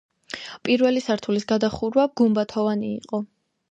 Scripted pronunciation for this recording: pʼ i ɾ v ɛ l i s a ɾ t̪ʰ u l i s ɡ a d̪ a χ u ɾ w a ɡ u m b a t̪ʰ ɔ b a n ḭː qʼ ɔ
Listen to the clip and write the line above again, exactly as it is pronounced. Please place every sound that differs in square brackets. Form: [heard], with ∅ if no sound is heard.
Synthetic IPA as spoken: pʼ i ɾ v ɛ l i s a ɾ t̪ʰ u l i s ɡ a d̪ a χ u ɾ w a ɡ u m b a t̪ʰ ɔ [v] a n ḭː qʼ ɔ